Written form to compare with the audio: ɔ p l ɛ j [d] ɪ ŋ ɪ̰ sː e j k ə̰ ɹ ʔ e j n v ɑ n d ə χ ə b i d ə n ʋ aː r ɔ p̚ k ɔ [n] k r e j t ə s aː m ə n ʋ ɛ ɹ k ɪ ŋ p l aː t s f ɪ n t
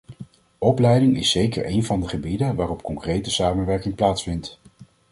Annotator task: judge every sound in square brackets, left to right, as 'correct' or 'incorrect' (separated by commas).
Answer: correct, incorrect